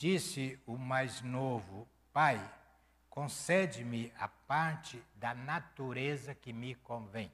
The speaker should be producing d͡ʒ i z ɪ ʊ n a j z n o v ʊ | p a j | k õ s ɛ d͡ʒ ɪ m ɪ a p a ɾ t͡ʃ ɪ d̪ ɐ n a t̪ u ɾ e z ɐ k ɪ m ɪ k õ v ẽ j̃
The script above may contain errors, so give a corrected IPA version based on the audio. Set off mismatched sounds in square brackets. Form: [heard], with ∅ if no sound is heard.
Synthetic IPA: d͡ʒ i [s] ɪ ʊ [m] a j z n o v ʊ | p a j | k õ s ɛ d͡ʒ ɪ m ɪ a p a ɾ t͡ʃ ɪ d̪ ɐ n a t̪ u ɾ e z ɐ k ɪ m ɪ k õ v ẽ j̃